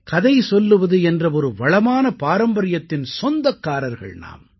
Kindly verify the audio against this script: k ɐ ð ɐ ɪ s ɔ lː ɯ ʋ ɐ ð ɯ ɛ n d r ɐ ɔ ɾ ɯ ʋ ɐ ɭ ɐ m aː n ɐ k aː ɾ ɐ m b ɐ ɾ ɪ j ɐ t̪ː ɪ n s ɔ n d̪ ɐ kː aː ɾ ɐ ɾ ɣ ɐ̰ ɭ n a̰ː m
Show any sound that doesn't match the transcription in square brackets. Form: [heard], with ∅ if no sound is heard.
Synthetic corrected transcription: k ɐ ð ɐ ɪ s ɔ lː ɯ ʋ ɐ ð ɯ ɛ n d r ɐ ɔ ɾ ɯ ʋ ɐ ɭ ɐ m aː n ɐ [p] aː ɾ ɐ m b ɐ ɾ ɪ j ɐ t̪ː ɪ n s ɔ n d̪ ɐ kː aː ɾ ɐ ɾ ɣ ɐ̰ ɭ n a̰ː m